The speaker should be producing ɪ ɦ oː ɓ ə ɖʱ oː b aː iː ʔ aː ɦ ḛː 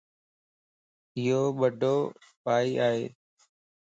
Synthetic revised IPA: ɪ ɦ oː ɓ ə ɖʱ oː p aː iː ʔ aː ɦ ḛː